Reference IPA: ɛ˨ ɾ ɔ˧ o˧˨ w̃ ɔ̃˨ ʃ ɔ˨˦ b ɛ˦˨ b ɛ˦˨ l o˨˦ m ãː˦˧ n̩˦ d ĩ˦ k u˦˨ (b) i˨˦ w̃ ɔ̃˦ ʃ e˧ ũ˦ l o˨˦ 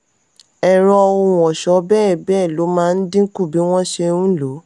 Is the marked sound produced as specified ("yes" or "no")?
yes